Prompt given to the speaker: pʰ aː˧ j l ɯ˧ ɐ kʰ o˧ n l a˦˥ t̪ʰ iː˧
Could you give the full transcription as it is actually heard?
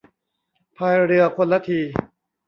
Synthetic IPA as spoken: pʰ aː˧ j ɾ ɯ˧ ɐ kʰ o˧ n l a˦˥ t̪ʰ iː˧

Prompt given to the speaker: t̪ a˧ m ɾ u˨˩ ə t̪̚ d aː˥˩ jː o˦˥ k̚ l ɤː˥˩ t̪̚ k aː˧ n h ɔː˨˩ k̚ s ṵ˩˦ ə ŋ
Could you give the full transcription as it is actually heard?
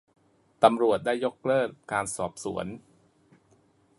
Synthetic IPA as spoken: t̪ a˧ m ɾ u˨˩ ə t̪̚ d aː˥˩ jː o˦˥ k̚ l ɤː˥˩ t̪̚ k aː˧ n s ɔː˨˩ p̚ s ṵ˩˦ ə n

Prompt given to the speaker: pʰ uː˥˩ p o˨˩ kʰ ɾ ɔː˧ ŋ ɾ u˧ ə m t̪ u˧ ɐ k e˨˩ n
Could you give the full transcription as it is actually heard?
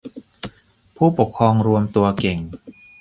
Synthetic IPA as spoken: pʰ uː˥˩ p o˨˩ kʰ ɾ ɔː˧ ŋ ɾ u˧ ə m t̪ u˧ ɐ k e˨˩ ŋ

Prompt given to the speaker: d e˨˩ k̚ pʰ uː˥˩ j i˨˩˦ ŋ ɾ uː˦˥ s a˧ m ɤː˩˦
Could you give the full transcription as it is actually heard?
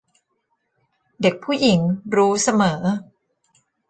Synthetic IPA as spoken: d e˨˩ k̚ pʰ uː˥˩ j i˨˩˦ ŋ ɾ uː˦˥ s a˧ m ɤː˩˦

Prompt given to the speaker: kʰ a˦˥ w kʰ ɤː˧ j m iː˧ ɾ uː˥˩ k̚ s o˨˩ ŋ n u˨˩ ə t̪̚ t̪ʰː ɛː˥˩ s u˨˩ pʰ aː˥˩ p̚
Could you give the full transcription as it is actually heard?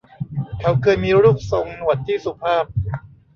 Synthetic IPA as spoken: kʰ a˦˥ w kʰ ɤː˧ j m iː˧ ɾ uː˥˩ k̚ s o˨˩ ŋ n u˨˩ ə t̪̚ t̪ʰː iː˥˩ s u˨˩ pʰ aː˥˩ p̚

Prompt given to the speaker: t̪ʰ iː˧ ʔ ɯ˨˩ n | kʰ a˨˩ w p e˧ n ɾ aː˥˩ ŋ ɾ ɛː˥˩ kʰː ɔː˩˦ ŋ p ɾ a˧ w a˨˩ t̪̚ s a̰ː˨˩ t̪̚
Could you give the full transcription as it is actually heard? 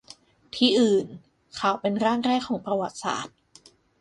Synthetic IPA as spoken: t̪ʰ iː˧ ʔ ɯː˨˩ n | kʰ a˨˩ w p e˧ n ɾ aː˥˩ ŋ ɾ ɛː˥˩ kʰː ɔː˩˦ ŋ p ɾ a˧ w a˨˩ t̪̚ s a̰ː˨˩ t̪̚

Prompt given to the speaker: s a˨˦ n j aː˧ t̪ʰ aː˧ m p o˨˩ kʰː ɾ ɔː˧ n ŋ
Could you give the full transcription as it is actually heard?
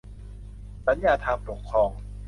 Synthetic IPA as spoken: s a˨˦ n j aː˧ t̪ʰ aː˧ m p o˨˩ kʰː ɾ ɔː˧ ŋ

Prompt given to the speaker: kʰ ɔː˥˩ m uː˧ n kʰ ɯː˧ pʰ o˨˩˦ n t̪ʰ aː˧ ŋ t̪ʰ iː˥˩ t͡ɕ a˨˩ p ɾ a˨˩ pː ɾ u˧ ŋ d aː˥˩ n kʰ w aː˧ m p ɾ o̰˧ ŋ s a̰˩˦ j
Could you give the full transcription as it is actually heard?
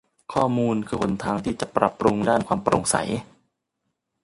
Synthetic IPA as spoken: kʰ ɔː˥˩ m uː˧ n kʰ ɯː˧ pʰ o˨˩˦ n t̪ʰ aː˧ ŋ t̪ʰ iː˥˩ t͡ɕ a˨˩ p ɾ a˨˩ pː ɾ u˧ ŋ d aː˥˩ n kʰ w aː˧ m p ɾ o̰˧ ŋ s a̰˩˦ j

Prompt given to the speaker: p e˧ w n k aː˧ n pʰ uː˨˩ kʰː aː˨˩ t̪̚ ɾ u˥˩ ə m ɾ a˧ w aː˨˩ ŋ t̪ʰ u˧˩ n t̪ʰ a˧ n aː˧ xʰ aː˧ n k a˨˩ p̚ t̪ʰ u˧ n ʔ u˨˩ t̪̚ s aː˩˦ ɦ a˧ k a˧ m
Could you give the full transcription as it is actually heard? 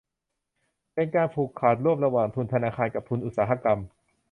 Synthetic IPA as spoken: p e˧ n k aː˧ n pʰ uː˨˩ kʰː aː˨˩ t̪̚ ɾ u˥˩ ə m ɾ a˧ w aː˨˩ ŋ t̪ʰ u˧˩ n t̪ʰ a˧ n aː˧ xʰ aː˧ n k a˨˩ p̚ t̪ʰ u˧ n ʔ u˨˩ t̪̚ s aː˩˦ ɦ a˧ k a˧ m

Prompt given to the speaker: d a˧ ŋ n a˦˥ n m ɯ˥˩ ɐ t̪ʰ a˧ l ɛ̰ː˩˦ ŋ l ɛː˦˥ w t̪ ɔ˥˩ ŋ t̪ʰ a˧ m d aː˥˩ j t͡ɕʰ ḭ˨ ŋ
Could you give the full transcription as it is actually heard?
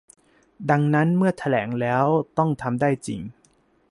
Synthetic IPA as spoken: d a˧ ŋ n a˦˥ n m ɯ˥˩ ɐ t̪ʰ a˧ l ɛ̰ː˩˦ ŋ l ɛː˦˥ w t̪ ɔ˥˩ ŋ t̪ʰ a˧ m d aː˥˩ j t͡ɕ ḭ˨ ŋ

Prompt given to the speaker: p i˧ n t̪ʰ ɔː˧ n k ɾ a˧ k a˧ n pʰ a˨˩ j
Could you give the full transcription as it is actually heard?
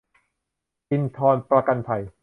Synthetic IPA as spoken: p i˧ n t̪ʰ ɔː˧ n p ɾ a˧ k a˧ n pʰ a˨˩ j

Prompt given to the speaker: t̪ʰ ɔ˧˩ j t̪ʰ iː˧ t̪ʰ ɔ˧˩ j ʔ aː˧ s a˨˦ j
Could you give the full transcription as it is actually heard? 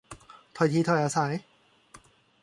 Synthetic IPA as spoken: t̪ʰ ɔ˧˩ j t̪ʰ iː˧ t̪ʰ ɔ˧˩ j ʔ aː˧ s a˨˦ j

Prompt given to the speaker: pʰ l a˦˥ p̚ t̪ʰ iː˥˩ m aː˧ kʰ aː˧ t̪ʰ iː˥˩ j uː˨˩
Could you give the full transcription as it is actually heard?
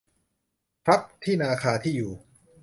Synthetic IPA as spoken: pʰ ɾ a˦˥ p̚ t̪ʰ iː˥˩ n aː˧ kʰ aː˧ t̪ʰ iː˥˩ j uː˨˩

